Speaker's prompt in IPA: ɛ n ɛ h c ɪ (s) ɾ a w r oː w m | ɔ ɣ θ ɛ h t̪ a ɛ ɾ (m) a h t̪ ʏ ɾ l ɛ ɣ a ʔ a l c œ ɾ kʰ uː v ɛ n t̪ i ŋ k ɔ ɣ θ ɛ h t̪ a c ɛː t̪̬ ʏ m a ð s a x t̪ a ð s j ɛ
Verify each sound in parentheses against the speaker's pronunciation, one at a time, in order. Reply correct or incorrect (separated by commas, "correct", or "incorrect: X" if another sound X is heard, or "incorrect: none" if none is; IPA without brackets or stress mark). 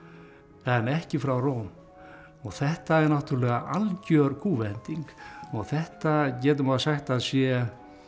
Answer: incorrect: f, incorrect: n